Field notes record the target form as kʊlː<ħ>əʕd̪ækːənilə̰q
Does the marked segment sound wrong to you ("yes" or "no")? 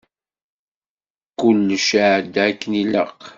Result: yes